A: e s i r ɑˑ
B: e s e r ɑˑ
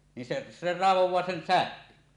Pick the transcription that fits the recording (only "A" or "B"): B